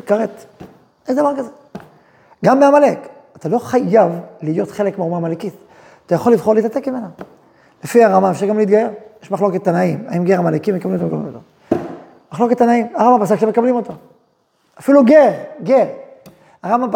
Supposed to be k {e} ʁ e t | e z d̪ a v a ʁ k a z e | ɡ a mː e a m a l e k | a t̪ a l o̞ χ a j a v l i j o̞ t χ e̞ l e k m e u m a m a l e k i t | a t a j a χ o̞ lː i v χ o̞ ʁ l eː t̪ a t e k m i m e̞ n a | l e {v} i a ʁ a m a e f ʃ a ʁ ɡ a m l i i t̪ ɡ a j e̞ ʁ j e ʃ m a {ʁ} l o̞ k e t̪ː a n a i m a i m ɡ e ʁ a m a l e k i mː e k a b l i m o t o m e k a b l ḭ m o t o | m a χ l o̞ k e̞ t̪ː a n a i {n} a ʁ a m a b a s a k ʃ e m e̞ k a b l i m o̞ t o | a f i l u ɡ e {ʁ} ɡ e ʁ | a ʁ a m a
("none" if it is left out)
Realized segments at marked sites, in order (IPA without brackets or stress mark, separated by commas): a, f, χ, m, ʁ